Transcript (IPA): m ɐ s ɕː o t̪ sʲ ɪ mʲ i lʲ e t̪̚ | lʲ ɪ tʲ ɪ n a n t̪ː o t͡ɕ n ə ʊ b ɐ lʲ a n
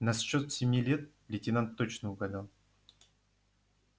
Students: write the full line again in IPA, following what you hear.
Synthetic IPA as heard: n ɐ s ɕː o t̪ sʲ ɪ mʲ i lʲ e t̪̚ | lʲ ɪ tʲ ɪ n a n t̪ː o t͡ɕ n ə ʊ ɡ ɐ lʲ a n

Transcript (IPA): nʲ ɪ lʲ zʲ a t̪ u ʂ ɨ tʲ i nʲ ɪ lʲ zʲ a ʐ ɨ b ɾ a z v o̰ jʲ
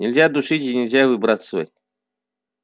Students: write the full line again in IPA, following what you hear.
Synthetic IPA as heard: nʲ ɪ lʲ zʲ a d̪ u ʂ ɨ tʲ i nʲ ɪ lʲ zʲ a v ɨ b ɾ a s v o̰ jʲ

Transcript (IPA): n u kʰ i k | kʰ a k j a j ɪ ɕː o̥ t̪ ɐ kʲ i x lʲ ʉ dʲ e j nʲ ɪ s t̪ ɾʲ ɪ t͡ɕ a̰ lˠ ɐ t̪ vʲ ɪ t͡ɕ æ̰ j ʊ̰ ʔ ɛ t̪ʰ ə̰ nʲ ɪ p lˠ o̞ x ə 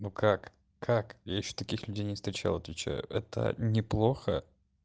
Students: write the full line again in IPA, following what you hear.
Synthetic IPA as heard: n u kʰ a k | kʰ a k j a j ɪ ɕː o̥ t̪ ɐ kʲ i x lʲ ʉ dʲ e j nʲ ɪ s t̪ ɾʲ ɪ t͡ɕ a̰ lˠ ɐ t̪ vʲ ɪ t͡ɕ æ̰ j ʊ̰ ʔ ɛ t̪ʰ ə̰ nʲ ɪ p lˠ o̞ x ə

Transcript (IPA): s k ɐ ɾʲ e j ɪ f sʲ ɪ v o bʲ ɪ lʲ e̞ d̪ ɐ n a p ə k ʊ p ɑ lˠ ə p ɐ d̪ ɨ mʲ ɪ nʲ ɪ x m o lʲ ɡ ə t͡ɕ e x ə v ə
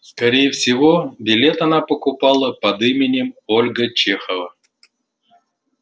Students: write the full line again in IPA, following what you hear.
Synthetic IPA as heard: s k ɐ ɾʲ e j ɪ f sʲ ɪ v o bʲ ɪ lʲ e̞ t̪ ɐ n a p ə k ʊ p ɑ lˠ ə p ɐ d̪ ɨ mʲ ɪ nʲ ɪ m o lʲ ɡ ə t͡ɕ e x ə v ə

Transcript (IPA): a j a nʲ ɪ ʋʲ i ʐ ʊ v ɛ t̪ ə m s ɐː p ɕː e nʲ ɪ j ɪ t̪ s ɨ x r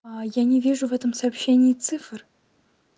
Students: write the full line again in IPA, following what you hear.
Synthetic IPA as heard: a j a nʲ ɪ vʲ i ʐ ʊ v ɛ t̪ ə m s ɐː p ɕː e nʲ ɪ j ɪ t̪ s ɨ f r

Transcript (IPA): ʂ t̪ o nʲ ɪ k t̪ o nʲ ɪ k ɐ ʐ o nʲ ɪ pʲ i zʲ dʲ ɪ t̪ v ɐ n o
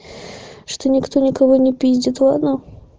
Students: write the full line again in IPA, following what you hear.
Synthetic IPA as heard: ʂ t̪ o nʲ ɪ k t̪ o nʲ ɪ k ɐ v o nʲ ɪ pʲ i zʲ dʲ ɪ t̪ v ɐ n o

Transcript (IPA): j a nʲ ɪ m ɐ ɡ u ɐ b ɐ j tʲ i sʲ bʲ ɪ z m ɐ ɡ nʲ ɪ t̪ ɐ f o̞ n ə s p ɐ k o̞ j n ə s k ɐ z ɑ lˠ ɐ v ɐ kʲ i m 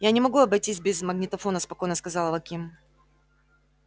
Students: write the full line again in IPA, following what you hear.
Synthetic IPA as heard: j a nʲ ɪ m ɐ ɡ u ɐ b ɐ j tʲ i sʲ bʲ ɪ z m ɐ ɡ nʲ ɪ t̪ ɐ f o̞ n ə s p ɐ k o̞ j n ə s k ɐ z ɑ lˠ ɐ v ɐ kʲ i m

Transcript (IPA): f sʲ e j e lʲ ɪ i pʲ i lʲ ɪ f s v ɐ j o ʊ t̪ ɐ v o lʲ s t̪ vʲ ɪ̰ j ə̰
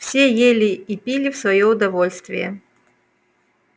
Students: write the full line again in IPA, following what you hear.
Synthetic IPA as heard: f sʲ e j e lʲ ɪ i pʲ i lʲ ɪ f s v ɐ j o ʊ d̪ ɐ v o lʲ s t̪ vʲ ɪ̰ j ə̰

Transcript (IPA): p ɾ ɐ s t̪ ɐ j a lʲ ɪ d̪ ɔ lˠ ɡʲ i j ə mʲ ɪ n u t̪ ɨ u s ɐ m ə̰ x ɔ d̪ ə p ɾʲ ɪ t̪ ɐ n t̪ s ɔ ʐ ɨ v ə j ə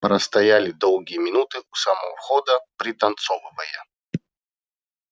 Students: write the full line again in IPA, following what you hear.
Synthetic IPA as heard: p ɾ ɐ s t̪ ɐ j a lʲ ɪ d̪ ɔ lˠ ɡʲ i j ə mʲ ɪ n u t̪ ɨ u s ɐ m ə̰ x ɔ d̪ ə p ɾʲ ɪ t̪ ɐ n t̪ s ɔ v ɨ v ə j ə

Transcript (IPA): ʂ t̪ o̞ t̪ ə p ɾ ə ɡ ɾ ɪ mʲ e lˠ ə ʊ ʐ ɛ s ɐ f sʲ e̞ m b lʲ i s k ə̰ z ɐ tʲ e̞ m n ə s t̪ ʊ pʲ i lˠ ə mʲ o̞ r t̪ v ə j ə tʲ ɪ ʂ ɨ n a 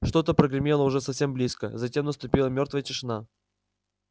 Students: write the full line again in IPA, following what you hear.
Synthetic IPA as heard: ʂ t̪ o̞ t̪ ə p ɾ ə ɡ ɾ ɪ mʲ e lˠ ə ʊ ʐ ɛ s ɐ f sʲ e̞ m b lʲ i s k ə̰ z ɐ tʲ e̞ m n ə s t̪ ʊ pʲ i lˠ ə mʲ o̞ r t̪ v ə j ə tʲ ɪ ʂ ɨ n a

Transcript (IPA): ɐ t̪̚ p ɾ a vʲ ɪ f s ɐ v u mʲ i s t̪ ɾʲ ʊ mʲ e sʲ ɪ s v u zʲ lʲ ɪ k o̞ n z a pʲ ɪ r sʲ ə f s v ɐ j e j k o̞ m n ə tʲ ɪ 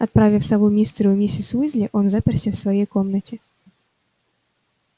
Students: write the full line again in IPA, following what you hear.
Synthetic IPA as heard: ɐ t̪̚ p ɾ a vʲ ɪ f s ɐ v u mʲ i s t̪ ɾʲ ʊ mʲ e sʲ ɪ s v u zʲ lʲ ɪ ʔ o̞ n z a pʲ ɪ r sʲ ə f s v ɐ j e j k o̞ m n ə tʲ ɪ

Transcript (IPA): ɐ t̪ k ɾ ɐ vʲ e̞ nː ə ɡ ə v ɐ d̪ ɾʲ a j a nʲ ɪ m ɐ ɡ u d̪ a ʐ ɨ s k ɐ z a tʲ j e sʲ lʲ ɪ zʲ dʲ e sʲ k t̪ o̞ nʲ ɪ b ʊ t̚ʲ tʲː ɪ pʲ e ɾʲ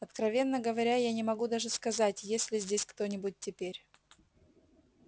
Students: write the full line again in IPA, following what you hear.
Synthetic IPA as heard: ɐ t̪ k ɾ ɐ vʲ e̞ nː ə ɡ ə v ɐ ɾʲ a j a nʲ ɪ m ɐ ɡ u d̪ a ʐ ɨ s k ɐ z a tʲ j e sʲ lʲ ɪ zʲ dʲ e sʲ k t̪ o̞ nʲ ɪ b ʊ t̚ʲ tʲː ɪ pʲ e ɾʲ

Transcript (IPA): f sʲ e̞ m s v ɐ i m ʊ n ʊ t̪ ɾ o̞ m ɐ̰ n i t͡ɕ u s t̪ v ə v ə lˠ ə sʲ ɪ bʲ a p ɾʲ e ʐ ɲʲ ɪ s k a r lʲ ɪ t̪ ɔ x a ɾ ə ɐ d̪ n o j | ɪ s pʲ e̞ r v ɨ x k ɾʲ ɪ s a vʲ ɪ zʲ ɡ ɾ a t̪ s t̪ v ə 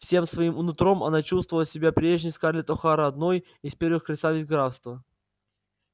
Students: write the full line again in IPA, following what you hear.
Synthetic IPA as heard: f sʲ e̞ m s v ɐ i m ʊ n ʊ t̪ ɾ o̞ m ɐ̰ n a t͡ɕ u s t̪ v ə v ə lˠ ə sʲ ɪ bʲ a p ɾʲ e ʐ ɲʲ ɪ s k a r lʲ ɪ t̪ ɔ x a ɾ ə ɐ d̪ n o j | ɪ s pʲ e̞ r v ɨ x k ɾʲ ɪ s a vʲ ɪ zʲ ɡ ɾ a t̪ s t̪ v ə

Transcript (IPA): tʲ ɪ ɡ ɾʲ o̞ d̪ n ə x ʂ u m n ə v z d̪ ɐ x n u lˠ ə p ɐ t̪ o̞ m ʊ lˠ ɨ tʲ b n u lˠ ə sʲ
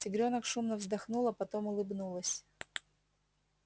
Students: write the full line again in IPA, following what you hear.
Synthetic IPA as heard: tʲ ɪ ɡ ɾʲ o̞ n ə k ʂ u m n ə v z d̪ ɐ x n u lˠ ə p ɐ t̪ o̞ m ʊ lˠ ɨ b n u lˠ ə sʲ

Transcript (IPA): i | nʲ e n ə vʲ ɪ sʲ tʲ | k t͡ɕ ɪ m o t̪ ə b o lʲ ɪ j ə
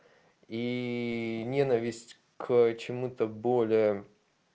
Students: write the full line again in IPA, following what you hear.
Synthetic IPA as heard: i | nʲ e n ə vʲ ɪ sʲ tʲ | k t͡ɕ ɪ m u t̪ ə b o lʲ ɪ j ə

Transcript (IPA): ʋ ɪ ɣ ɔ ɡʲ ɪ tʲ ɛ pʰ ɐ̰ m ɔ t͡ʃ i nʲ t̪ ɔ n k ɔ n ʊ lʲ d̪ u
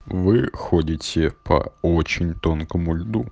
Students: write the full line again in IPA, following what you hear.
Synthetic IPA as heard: ʋ ɪ x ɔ dʲ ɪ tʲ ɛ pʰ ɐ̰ ɔ t͡ʃ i nʲ t̪ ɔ n k ɔ m ʊ lʲ d̪ u

